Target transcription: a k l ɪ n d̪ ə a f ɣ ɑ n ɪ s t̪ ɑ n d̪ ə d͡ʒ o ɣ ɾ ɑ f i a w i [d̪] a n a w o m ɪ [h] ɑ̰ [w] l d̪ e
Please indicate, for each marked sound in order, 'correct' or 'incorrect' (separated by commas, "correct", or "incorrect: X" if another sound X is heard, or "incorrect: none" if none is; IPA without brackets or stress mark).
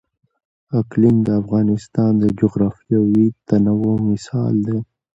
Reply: incorrect: t̪, incorrect: s, incorrect: none